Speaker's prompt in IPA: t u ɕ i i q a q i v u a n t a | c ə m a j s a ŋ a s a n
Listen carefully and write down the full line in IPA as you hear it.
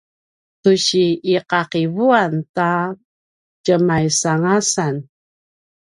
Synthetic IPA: t u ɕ i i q a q i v u a n t a | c ə m a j s a ŋ a s a n